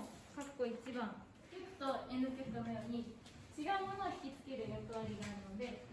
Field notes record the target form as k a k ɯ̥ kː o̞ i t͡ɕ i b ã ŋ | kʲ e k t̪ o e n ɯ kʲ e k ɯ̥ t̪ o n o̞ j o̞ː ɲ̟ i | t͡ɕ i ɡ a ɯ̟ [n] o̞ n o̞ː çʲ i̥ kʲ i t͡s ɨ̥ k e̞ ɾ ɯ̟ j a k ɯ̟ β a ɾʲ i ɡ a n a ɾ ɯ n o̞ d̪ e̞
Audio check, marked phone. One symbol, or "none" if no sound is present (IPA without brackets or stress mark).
m